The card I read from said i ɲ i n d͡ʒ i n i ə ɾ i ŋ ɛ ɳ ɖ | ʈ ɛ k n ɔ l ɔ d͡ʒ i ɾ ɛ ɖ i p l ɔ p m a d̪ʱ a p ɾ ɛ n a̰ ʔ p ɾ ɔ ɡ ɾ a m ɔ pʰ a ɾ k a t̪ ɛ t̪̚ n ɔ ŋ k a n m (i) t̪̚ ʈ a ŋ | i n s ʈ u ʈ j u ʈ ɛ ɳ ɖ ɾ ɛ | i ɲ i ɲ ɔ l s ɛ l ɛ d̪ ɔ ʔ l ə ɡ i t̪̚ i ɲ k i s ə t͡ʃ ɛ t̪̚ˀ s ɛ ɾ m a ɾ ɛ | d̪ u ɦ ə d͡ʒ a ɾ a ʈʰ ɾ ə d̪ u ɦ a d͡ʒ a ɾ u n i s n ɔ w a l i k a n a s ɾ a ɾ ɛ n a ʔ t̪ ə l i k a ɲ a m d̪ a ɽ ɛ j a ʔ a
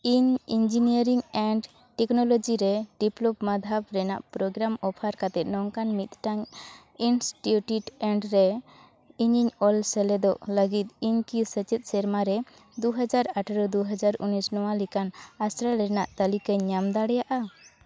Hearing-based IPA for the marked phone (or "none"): i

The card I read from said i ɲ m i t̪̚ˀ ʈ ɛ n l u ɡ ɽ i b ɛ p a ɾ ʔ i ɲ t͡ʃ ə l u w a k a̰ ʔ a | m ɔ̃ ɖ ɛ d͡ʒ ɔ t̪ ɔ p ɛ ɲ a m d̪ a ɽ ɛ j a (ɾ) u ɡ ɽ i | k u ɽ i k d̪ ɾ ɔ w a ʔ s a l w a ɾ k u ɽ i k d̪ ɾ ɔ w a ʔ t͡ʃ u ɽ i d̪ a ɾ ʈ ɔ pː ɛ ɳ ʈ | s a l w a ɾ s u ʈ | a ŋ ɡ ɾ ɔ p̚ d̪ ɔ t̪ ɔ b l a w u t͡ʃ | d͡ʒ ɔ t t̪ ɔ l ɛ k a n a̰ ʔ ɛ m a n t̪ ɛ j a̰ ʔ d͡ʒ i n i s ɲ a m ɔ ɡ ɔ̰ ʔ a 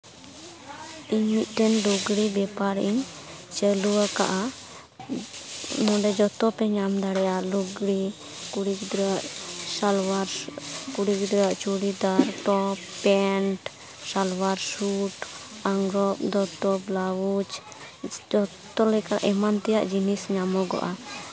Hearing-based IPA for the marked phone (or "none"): l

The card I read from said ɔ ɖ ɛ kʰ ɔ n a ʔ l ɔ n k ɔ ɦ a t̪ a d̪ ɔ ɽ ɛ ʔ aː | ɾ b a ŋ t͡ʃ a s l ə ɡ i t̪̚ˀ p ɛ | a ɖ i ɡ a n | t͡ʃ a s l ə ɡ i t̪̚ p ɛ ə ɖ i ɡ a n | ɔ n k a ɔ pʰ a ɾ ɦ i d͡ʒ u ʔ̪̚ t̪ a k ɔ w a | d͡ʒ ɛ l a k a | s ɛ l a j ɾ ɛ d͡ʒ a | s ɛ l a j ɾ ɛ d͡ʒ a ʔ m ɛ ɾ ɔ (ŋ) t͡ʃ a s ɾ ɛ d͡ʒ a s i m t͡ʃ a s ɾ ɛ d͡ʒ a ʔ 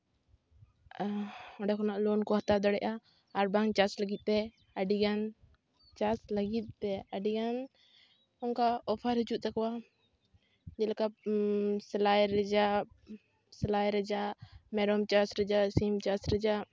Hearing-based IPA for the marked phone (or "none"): m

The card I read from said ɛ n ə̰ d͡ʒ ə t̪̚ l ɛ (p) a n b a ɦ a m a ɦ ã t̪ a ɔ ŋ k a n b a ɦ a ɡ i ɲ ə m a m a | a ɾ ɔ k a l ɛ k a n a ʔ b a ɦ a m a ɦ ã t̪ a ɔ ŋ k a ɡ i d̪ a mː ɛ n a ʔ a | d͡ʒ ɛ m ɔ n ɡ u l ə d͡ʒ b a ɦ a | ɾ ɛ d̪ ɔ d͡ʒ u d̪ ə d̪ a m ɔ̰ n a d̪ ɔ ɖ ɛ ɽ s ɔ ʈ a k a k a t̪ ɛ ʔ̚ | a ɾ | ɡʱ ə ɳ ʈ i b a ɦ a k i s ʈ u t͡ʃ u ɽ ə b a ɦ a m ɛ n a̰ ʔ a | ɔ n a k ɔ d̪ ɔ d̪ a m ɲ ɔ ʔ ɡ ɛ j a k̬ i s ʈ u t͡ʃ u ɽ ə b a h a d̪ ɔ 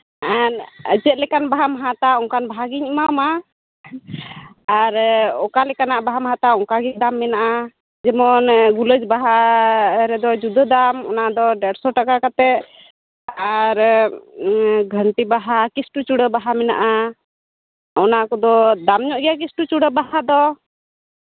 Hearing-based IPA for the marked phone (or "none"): k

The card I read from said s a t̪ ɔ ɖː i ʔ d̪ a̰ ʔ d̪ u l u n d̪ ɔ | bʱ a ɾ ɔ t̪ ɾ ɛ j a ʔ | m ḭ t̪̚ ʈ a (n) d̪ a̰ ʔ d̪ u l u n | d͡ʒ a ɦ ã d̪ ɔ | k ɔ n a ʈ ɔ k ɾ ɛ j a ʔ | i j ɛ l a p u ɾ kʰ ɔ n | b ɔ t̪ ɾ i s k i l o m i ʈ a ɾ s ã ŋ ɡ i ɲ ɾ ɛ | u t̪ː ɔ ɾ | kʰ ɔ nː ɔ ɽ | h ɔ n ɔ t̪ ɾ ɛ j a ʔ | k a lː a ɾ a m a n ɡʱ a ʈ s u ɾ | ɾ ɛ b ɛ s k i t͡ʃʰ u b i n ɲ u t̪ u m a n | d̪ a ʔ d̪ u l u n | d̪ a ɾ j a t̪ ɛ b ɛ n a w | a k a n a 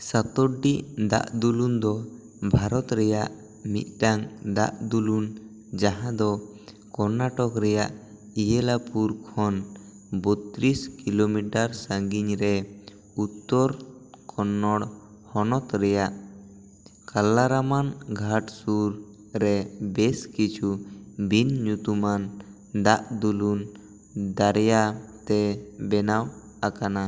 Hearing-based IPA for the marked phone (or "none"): ŋ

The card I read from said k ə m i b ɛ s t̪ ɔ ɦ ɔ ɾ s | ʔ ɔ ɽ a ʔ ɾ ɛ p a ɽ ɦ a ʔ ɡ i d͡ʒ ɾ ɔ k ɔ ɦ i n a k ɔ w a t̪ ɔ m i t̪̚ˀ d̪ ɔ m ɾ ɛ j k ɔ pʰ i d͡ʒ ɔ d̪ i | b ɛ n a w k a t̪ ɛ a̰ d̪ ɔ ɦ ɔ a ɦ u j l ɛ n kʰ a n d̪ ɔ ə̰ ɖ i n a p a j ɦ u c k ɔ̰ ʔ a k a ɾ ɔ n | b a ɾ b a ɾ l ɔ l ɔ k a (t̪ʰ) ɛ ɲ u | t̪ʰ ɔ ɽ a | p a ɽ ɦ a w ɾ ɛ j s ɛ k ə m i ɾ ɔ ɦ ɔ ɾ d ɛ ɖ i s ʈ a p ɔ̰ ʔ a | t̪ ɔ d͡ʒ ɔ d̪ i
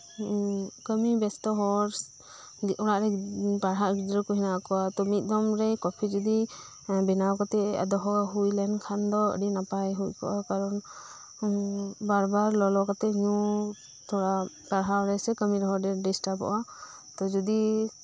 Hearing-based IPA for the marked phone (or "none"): t̪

